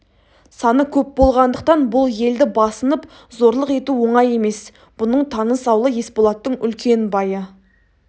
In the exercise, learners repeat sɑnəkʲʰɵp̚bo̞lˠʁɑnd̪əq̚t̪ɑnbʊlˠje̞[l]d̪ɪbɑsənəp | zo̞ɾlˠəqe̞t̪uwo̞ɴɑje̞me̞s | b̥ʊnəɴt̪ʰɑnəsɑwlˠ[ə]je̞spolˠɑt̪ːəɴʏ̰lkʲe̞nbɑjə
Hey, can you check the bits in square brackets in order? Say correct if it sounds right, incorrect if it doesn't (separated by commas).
correct, correct